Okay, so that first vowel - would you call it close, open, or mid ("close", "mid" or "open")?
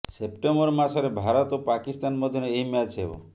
mid